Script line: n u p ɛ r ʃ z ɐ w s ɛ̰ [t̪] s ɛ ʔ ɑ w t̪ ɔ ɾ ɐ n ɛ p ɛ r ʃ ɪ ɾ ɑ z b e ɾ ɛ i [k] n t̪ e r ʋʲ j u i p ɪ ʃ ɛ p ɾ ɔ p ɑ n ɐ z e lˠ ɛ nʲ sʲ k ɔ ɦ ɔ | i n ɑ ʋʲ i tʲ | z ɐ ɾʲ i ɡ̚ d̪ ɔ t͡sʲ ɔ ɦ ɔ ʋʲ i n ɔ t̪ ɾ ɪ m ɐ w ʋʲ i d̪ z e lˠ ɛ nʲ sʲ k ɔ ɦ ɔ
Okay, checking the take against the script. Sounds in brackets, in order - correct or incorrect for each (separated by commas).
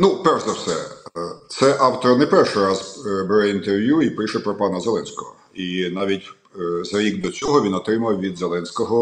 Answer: correct, incorrect